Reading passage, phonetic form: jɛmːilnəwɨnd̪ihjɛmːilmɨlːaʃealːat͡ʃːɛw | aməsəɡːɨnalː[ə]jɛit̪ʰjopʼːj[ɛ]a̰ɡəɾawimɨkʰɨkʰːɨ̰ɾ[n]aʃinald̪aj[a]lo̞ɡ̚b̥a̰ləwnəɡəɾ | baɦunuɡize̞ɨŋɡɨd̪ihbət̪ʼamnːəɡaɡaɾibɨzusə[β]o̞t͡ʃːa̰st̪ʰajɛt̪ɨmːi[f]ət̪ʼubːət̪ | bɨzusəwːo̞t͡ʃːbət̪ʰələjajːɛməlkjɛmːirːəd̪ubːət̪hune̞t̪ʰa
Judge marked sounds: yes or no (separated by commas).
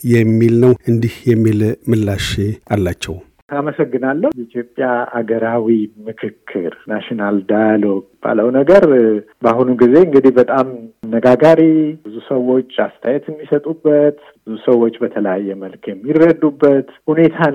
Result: yes, no, yes, yes, no, no